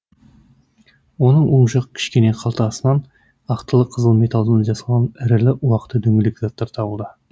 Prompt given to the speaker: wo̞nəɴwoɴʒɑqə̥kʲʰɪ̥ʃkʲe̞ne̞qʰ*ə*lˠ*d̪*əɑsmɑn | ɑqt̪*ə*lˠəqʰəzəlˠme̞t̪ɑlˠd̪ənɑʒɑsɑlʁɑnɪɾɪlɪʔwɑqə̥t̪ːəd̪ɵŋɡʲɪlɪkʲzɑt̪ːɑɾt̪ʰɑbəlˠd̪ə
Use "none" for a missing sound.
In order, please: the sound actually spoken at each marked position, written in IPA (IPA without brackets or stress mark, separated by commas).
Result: ɑ, t̪, ə